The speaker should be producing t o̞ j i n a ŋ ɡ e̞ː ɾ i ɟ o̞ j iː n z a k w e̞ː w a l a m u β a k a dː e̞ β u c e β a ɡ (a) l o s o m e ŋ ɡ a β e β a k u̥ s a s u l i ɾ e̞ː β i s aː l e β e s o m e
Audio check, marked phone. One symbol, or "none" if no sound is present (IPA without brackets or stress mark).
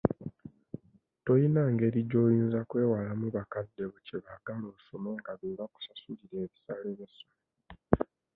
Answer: a